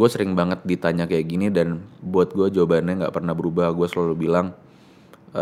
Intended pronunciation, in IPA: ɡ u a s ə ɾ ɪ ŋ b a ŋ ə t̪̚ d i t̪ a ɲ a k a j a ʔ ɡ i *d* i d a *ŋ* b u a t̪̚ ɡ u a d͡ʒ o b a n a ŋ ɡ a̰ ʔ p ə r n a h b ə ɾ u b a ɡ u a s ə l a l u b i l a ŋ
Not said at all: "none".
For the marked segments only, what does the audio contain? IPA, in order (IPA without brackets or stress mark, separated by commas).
n, n